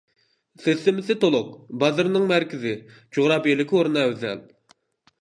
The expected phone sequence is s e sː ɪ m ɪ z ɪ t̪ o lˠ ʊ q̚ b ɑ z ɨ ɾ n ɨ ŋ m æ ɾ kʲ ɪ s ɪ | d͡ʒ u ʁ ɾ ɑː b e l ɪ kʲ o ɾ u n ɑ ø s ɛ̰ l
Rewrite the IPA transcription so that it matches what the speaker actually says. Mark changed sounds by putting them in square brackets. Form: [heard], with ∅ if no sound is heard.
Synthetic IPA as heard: s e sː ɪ m ɪ [s] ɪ t̪ o lˠ ʊ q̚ b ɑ z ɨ ɾ n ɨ ŋ m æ ɾ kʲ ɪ [z] ɪ | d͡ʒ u ʁ ɾ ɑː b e l ɪ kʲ o ɾ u n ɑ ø [z] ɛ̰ l